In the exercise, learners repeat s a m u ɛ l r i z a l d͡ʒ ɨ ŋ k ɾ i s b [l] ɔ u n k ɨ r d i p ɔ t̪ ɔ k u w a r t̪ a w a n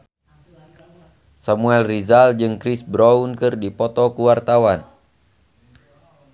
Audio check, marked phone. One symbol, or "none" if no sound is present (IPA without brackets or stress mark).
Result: ɾ